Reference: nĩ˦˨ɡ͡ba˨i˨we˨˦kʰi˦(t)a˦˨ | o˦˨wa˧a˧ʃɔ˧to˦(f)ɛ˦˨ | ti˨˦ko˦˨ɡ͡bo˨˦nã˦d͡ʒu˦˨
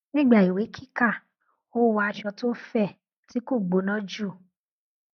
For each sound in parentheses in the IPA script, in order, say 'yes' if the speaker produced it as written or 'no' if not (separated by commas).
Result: no, yes